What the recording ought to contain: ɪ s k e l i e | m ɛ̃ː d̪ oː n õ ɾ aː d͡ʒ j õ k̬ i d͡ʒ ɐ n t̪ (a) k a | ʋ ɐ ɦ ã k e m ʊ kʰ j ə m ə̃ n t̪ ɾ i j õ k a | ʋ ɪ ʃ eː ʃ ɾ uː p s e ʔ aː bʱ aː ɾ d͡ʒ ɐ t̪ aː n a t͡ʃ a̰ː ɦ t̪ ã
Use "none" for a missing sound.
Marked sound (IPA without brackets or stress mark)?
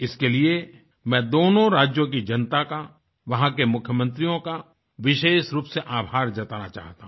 a